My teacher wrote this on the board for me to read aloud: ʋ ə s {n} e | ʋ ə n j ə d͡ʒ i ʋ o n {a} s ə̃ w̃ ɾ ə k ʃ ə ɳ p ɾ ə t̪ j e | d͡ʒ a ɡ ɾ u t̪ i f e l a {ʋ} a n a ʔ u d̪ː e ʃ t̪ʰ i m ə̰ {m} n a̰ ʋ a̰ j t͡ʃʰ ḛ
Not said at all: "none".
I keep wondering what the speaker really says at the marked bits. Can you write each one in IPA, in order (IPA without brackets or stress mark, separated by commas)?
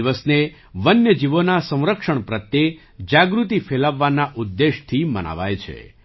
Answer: n, a, ʋː, none